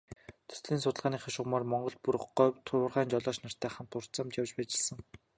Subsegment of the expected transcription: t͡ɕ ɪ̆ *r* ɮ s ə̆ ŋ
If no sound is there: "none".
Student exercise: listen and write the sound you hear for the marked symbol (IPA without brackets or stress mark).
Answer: none